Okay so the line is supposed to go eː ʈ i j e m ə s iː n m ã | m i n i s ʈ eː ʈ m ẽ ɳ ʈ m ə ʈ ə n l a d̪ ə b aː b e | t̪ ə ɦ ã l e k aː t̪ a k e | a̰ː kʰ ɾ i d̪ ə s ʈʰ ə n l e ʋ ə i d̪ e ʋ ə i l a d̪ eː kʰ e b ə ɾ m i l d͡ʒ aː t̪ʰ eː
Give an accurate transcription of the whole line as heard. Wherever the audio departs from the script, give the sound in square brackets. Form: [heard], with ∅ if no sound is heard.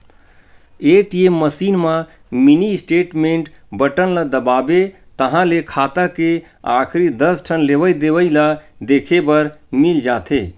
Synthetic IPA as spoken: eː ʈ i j e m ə s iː n m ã | m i n i s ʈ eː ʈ m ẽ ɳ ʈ [b] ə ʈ ə n l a d̪ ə b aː b e | t̪ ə ɦ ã l e [kʰ] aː t̪ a k e | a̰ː kʰ ɾ i d̪ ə s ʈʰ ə n l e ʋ ə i d̪ e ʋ ə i l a d̪ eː kʰ e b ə ɾ m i l d͡ʒ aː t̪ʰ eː

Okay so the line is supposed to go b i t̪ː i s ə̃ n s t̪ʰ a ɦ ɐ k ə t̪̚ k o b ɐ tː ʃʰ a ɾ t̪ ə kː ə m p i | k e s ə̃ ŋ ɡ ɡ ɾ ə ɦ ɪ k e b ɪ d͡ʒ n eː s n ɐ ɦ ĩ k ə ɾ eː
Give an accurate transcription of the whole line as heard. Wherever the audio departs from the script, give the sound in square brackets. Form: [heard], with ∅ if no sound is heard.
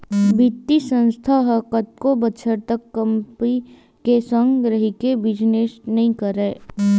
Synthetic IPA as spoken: b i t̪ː i s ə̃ n s t̪ʰ a ɦ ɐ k ə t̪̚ k o b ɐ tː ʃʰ [ə] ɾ t̪ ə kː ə m p i | k e s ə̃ ŋ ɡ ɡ ɾ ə ɦ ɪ k e b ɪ d͡ʒ n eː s n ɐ ɦ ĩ k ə ɾ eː

